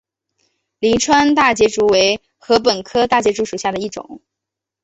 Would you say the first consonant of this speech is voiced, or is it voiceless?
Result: voiced